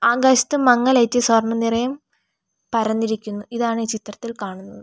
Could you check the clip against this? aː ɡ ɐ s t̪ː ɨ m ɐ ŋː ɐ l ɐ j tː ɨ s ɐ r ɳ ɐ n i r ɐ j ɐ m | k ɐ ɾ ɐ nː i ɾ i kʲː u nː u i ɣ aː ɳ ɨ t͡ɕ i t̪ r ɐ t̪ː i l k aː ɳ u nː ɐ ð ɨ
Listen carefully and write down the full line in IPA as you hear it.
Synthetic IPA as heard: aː ɡ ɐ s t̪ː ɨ m ɐ ŋː ɐ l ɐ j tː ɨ s ɐ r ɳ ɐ n i r ɐ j ɐ m | p ɐ ɾ ɐ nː i ɾ i kʲː u nː u i ð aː ɳ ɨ t͡ɕ i t̪ r ɐ t̪ː i l k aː ɳ u nː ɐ ð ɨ

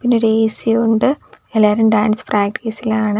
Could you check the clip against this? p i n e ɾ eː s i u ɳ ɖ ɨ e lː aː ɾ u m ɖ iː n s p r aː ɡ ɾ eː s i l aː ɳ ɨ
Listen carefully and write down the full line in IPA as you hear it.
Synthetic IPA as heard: p i nː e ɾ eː s i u ɳ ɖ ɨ e lː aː ɾ u m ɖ aː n s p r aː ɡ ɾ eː s i l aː ɳ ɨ

